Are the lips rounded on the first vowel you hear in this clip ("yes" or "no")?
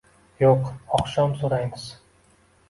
yes